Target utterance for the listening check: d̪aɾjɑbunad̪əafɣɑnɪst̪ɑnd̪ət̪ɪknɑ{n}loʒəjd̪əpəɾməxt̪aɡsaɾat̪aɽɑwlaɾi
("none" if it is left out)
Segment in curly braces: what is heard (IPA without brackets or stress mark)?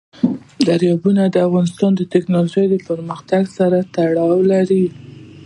none